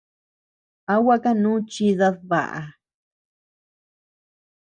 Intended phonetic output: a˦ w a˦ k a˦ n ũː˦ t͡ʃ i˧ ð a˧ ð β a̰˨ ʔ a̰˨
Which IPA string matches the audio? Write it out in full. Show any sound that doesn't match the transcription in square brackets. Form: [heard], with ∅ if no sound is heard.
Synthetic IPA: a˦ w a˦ k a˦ n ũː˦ t͡ʃ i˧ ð a˧ ð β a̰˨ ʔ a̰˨